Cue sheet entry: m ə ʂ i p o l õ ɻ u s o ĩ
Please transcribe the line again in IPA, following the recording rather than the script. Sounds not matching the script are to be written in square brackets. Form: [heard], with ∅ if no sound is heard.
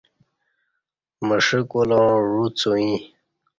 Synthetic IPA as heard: m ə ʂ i [k] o l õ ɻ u [t͡s] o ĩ